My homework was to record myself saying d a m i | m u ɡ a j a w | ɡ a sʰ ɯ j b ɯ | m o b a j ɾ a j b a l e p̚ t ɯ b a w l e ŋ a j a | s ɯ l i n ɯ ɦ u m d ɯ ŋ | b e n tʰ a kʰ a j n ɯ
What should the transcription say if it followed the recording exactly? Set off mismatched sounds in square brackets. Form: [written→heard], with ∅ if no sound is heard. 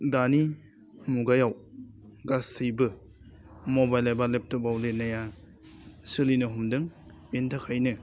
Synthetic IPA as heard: d a [m→n] i | m u ɡ a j a w | ɡ a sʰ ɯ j b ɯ | m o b a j [ɾ→l] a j b a l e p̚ t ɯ b a w l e [ŋ→n] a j a | s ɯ l i n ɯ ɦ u m d ɯ ŋ | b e n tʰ a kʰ a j n ɯ